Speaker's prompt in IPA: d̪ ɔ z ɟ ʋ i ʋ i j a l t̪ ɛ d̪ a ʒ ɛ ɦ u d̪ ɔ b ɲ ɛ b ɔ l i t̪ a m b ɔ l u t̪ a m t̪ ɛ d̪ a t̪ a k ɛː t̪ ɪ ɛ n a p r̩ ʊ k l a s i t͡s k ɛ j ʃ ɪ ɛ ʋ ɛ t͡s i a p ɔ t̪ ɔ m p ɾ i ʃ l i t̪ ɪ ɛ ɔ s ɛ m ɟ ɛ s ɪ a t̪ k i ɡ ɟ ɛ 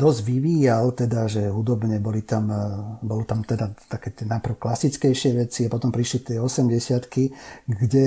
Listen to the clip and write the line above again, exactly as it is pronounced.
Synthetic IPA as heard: d̪ ɔ z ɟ ʋ i ʋ iː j a l t̪ ɛ d̪ a ʒ ɛ ɦ u d̪ ɔ b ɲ ɛ b ɔ l i t̪ a m b ɔ l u t̪ a m t̪ ɛ d̪ a t̪ a k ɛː t̪ ɪ ɛ n a p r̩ ʊ k l a s i t͡s k ɛ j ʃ ɪ ɛ ʋ ɛ t͡s i a p ɔ t̪ ɔ m p ɾ i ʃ l i t̪ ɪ ɛ ɔ s ɛ m ɟ ɛ s ɪ a t̪ k i ɡ ɟ ɛ